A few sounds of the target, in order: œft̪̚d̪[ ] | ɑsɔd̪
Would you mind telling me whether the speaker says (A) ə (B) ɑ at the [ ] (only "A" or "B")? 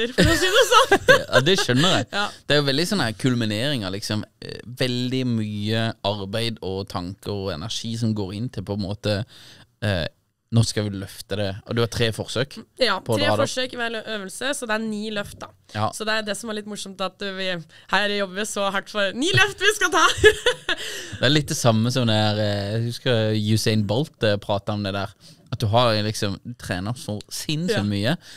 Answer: B